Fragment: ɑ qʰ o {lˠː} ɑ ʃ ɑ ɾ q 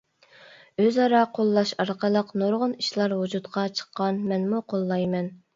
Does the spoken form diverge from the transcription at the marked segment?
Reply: no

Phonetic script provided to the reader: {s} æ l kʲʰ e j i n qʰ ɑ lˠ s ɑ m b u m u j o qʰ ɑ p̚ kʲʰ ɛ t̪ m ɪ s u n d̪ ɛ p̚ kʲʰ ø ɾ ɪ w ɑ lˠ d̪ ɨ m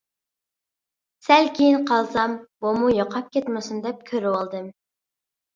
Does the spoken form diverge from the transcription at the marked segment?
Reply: no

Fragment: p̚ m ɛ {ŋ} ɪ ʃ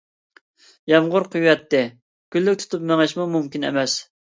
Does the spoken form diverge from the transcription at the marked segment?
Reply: no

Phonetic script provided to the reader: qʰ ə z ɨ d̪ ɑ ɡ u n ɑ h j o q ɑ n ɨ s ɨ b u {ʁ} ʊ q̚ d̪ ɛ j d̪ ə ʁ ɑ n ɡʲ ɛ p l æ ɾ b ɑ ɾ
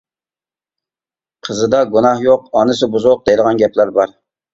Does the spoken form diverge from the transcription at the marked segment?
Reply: yes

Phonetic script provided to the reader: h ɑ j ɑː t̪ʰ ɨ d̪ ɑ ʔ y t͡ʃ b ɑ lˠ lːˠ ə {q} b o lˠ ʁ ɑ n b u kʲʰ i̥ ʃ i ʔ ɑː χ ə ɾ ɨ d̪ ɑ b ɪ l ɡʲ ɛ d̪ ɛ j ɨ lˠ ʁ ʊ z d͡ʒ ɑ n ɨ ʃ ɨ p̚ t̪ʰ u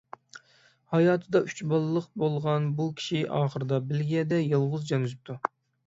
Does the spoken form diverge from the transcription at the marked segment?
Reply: no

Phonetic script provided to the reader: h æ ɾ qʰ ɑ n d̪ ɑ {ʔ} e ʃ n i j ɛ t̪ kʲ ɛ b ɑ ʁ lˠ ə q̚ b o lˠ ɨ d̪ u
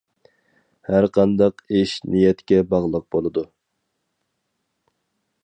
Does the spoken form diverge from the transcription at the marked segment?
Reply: yes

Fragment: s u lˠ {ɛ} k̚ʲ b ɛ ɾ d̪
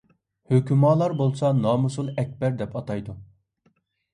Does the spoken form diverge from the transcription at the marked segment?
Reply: no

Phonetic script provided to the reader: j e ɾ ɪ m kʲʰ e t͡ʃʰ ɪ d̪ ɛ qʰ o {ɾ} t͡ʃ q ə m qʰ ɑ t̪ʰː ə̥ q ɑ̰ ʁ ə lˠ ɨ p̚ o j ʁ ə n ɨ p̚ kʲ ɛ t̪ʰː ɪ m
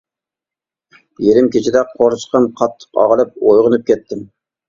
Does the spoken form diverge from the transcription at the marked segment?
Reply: no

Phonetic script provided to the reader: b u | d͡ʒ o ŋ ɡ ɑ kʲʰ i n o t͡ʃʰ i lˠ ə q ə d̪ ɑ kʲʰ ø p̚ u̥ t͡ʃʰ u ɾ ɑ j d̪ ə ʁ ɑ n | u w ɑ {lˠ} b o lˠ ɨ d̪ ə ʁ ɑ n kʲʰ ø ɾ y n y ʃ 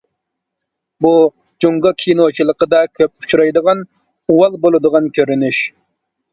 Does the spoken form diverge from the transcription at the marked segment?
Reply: no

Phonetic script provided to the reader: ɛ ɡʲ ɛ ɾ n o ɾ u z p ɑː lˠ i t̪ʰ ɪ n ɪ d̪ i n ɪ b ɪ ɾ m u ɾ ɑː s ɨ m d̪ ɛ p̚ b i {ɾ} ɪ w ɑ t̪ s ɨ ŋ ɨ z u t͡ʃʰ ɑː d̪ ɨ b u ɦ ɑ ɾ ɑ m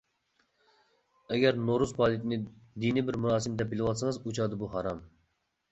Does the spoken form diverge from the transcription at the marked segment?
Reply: yes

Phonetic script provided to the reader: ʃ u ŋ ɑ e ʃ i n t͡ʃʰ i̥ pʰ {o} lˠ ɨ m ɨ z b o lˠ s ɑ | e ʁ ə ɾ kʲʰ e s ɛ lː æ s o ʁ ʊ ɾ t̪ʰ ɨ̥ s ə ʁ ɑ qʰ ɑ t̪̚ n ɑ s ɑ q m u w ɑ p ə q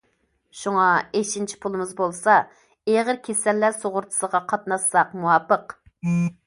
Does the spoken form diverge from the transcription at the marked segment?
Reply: yes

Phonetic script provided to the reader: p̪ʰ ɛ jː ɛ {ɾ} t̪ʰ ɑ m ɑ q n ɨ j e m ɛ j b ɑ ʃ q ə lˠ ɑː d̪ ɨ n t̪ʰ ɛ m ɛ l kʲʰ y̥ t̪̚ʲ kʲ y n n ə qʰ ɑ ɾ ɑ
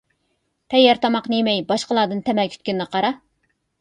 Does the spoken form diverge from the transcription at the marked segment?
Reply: no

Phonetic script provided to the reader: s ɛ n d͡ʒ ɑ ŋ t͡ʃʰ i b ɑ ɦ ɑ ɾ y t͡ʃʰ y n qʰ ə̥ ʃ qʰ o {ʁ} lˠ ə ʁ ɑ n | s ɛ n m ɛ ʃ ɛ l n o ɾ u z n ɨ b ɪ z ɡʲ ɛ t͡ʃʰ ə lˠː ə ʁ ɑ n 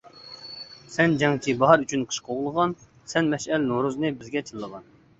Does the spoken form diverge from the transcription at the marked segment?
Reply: no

